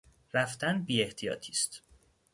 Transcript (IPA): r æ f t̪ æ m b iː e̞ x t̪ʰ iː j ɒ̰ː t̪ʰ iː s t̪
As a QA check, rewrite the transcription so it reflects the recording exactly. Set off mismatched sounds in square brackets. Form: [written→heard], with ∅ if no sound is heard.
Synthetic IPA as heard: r æ f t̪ æ [m→n] b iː e̞ [x→h] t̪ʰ [iː→i] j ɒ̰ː t̪ʰ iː s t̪

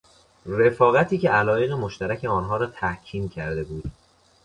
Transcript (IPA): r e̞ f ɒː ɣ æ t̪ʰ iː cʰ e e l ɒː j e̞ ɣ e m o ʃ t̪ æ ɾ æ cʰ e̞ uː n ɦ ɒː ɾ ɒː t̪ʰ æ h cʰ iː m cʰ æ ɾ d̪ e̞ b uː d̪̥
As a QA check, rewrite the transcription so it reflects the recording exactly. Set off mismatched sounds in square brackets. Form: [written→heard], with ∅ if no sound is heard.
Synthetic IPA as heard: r e̞ f ɒː ɣ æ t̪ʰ iː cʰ e [e→æ] l ɒː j e̞ ɣ e m o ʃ t̪ æ ɾ æ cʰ e̞ [uː→ɒː] n ɦ ɒː ɾ ɒː t̪ʰ æ h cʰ iː m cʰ æ ɾ d̪ e̞ b uː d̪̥

